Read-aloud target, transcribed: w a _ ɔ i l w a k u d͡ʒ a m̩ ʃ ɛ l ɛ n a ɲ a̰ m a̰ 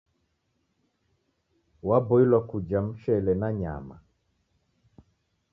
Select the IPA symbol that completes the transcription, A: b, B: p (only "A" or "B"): A